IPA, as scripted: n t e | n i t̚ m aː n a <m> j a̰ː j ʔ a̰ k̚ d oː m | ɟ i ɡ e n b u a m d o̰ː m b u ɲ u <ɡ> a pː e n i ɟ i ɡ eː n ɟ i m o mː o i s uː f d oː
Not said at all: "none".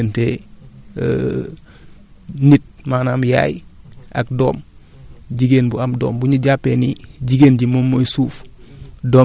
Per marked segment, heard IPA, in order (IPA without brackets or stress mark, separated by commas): m, ɟ